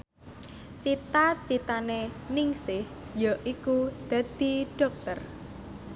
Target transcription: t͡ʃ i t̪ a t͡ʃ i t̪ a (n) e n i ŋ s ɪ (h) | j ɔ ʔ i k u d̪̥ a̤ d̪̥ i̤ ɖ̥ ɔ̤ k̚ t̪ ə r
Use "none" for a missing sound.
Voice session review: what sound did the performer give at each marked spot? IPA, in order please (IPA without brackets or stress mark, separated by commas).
n, h